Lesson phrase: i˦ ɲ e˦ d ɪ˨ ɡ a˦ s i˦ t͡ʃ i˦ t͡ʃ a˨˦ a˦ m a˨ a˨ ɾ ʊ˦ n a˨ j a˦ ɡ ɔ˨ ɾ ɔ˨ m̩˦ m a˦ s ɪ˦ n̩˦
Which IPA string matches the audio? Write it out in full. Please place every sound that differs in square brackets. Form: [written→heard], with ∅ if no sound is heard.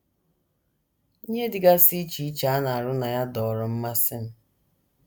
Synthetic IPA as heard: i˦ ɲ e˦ d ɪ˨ ɡ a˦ s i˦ t͡ʃ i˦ t͡ʃ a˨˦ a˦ [m→n] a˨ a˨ ɾ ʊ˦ n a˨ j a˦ [ɡ→d] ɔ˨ ɾ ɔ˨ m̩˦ m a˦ s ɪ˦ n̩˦